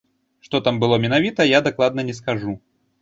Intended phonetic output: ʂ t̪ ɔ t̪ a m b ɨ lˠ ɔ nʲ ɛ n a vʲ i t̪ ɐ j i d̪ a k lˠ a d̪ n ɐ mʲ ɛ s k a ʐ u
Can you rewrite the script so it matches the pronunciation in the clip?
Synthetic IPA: ʂ t̪ ɔ t̪ a m b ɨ lˠ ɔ mʲ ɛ n a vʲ i t̪ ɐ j a d̪ a k lˠ a d̪ n ɐ nʲ ɛ s k a ʐ u